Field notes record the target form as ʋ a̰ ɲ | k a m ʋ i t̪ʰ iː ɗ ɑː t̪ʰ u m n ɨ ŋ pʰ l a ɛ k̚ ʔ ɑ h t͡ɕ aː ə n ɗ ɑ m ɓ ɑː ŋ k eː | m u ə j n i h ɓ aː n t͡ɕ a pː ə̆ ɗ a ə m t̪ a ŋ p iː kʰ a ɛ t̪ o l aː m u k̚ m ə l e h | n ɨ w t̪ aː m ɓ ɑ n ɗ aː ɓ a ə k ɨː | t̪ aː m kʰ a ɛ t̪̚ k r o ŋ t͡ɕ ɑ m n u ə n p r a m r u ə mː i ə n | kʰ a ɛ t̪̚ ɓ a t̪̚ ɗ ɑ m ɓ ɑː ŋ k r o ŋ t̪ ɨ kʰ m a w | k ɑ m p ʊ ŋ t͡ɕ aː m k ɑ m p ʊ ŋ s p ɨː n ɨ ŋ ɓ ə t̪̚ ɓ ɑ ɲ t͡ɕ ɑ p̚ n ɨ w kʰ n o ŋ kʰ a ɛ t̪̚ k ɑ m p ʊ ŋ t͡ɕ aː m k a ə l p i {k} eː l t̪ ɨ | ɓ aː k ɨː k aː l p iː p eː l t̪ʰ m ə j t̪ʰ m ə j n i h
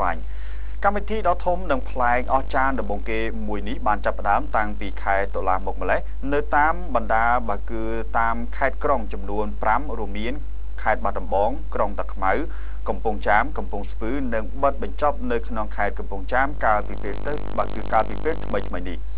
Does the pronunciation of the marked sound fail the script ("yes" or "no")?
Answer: yes